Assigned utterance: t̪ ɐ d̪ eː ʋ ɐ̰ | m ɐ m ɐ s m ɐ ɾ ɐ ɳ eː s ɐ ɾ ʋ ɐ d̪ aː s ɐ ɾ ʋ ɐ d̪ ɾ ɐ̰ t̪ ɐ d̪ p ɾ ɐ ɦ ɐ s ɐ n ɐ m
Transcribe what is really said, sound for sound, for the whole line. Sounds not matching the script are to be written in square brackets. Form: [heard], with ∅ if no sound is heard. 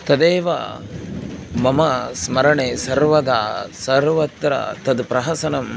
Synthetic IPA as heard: t̪ ɐ d̪ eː ʋ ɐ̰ | m ɐ m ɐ s m ɐ ɾ ɐ ɳ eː s ɐ ɾ ʋ ɐ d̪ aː s ɐ ɾ ʋ ɐ [t̪] ɾ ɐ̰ t̪ ɐ d̪ p ɾ ɐ ɦ ɐ s ɐ n ɐ m